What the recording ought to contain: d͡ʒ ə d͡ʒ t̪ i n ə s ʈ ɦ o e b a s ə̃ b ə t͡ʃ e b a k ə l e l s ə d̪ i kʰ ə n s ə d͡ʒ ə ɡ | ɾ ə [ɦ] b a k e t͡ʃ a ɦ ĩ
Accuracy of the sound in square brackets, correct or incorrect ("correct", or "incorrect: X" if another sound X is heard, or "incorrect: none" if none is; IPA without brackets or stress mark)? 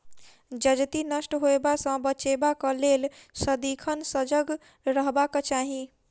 correct